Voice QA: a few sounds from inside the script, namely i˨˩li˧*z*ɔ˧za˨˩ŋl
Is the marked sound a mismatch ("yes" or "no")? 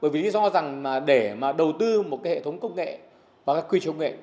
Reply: no